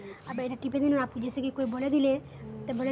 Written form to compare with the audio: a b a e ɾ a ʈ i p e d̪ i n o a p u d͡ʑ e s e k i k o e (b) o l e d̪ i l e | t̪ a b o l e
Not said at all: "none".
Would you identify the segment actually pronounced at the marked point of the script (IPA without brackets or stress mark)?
b